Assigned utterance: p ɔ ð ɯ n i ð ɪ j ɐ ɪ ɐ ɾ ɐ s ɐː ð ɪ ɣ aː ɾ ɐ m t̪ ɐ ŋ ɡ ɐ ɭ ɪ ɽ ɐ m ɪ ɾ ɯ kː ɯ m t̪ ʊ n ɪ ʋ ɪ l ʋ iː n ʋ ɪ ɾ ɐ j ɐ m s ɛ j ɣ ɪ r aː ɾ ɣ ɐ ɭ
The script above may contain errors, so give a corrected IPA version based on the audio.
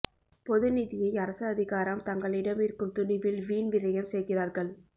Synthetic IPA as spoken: p ɔ ð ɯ n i ð ɪ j ɐ ɪ ɐ ɾ ɐ s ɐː ð ɪ ɣ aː ɾ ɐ m t̪ ɐ ŋ ɡ ɐ ɭ ɪ ɽ ɐ m ɪ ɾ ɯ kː ɯ m t̪ ʊ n ɪ ʋ ɪ l ʋ iː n ʋ ɪ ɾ ɐ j ɐ m s ɛ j ɣ ɪ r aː ɾ ɣ ɐ ɭ

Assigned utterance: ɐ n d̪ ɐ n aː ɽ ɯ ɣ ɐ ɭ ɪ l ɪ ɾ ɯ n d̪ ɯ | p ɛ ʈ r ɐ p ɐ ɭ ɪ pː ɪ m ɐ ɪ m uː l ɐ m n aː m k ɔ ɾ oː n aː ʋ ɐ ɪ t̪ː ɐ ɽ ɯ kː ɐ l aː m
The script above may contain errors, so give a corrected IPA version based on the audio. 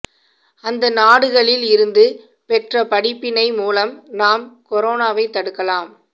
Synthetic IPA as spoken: ɐ n d̪ ɐ n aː ɽ ɯ ɣ ɐ ɭ ɪ l ɪ ɾ ɯ n d̪ ɯ | p ɛ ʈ r ɐ p ɐ ɽ ɪ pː ɪ n ɐ ɪ m uː l ɐ m n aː m k ɔ ɾ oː n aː ʋ ɐ ɪ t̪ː ɐ ɽ ɯ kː ɐ l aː m

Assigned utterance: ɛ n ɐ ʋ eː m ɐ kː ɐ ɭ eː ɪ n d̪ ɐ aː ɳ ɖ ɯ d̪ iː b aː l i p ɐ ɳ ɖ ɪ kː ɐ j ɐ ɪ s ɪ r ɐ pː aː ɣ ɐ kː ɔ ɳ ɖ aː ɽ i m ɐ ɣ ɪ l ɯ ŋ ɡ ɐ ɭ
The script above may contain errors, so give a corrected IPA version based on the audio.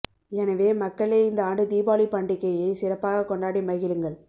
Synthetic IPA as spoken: ɛ n ɐ ʋ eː m ɐ kː ɐ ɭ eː ɪ n d̪ ɐ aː ɳ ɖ ɯ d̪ iː b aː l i p ɐ ɳ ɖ ɪ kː ɐ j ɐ ɪ s ɪ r ɐ pː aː ɣ ɐ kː ɔ ɳ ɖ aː ɽ i m ɐ ɣ ɪ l ɯ ŋ ɡ ɐ ɭ

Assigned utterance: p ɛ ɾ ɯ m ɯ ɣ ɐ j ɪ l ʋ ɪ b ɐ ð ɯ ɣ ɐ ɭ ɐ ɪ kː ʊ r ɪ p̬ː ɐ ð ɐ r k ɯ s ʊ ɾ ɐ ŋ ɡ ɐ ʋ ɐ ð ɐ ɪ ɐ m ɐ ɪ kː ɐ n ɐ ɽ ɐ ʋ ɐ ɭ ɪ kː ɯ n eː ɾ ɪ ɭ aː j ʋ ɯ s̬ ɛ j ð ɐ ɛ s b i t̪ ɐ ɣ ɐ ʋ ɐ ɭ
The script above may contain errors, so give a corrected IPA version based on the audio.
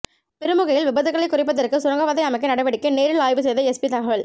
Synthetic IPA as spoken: p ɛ ɾ ɯ m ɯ ɣ ɐ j ɪ l ʋ ɪ b ɐ ð ɯ ɣ ɐ ɭ ɐ ɪ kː ʊ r ɪ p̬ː ɐ ð ɐ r k ɯ s ʊ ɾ ɐ ŋ ɡ ɐ ʋ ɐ ð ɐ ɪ ɐ m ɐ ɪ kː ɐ n ɐ ɽ ɐ ʋ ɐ ɽ ɪ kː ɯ n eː ɾ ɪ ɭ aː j ʋ ɯ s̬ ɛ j ð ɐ ɛ s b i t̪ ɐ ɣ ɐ ʋ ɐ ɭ

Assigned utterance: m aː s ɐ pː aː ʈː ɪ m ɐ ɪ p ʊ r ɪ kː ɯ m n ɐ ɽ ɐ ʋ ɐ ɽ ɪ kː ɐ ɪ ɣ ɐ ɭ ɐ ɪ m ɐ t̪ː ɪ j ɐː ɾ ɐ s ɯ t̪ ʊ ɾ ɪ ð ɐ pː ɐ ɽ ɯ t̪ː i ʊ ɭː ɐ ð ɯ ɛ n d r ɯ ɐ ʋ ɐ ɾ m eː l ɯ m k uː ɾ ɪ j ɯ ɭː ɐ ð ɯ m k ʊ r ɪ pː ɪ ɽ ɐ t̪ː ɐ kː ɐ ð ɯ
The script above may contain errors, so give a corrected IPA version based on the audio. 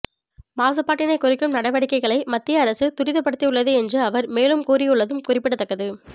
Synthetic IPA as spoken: m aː s ɐ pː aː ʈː ɪ n ɐ ɪ k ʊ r ɪ kː ɯ m n ɐ ɽ ɐ ʋ ɐ ɽ ɪ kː ɐ ɪ ɣ ɐ ɭ ɐ ɪ m ɐ t̪ː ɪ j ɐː ɾ ɐ s ɯ t̪ ʊ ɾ ɪ ð ɐ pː ɐ ɽ ɯ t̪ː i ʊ ɭː ɐ ð ɯ ɛ n d r ɯ ɐ ʋ ɐ ɾ m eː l ɯ m k uː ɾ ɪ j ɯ ɭː ɐ ð ɯ m k ʊ r ɪ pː ɪ ɽ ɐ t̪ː ɐ kː ɐ ð ɯ

